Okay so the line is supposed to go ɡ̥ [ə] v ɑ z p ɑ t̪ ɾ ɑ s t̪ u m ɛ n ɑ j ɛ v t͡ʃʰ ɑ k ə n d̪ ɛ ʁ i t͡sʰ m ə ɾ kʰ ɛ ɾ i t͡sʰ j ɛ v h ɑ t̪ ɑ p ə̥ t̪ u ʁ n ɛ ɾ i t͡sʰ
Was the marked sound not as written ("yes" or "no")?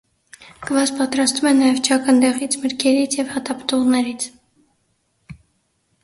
no